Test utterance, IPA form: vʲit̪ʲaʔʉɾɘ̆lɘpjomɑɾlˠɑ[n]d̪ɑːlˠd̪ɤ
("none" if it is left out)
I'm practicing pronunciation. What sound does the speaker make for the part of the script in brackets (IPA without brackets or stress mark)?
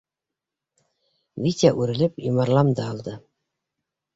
m